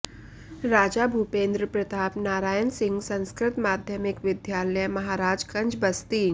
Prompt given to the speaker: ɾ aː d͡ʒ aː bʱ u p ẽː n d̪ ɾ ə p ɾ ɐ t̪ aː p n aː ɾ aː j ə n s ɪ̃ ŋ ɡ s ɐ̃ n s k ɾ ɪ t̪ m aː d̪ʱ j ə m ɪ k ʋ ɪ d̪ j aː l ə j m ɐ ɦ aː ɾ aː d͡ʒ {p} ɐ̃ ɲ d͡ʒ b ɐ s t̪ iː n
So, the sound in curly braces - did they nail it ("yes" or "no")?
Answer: no